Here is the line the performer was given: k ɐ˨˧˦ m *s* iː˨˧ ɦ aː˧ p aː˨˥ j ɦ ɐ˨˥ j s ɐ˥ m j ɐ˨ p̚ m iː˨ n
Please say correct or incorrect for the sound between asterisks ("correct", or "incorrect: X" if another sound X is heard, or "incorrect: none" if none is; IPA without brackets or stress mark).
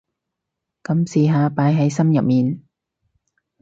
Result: correct